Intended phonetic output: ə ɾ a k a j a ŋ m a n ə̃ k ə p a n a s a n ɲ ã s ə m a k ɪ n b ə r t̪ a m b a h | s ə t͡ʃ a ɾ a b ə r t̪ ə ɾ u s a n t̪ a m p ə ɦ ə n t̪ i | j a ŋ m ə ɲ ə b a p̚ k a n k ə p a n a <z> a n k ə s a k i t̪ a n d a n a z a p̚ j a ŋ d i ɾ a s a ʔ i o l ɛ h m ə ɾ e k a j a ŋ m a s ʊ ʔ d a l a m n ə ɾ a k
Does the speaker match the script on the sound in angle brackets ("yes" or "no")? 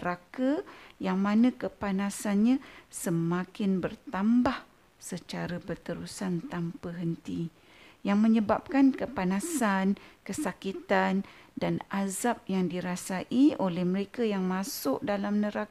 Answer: no